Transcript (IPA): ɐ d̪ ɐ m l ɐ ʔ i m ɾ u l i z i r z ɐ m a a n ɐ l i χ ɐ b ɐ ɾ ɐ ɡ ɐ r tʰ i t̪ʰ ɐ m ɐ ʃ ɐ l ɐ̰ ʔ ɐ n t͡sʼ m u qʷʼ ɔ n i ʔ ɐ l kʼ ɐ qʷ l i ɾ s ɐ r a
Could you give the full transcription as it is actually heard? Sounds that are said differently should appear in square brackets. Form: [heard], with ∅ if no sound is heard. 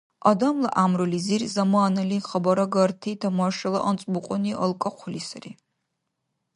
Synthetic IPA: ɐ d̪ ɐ m l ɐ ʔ [a] m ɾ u l i z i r z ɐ m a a n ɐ l i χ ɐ b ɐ ɾ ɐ ɡ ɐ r tʰ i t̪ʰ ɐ m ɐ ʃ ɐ l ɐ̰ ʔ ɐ n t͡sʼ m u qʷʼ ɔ n i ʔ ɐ l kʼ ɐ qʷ l i [∅] s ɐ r [i]